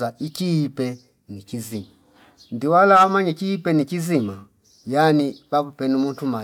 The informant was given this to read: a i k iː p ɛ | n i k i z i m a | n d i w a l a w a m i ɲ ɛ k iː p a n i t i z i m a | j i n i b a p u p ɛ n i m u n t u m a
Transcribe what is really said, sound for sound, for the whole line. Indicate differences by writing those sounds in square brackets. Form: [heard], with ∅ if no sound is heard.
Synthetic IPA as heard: a i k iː p ɛ | n i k i z i m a | n d i w a l a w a m [a] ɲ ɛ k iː p [ɛ] n i [k] i z i m a | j [a] n i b a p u p ɛ n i m u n t u m a